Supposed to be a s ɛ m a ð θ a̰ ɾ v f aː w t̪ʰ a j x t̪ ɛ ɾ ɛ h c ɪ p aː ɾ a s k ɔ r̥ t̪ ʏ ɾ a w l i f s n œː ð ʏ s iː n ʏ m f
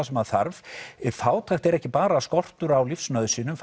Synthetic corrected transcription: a s ɛ m a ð θ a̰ ɾ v f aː w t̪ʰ a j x t̪ ɛ ɾ ɛ h c ɪ p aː ɾ a s k ɔ r̥ t̪ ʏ ɾ a w l i f s n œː ð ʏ s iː n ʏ m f